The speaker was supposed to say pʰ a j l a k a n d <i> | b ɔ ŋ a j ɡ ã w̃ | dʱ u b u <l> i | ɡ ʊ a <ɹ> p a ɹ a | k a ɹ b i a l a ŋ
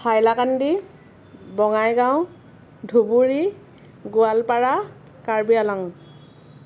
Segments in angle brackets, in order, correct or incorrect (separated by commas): correct, incorrect, incorrect